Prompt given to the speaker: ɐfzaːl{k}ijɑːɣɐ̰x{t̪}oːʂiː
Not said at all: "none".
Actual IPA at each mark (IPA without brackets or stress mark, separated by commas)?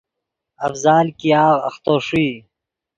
k, t̪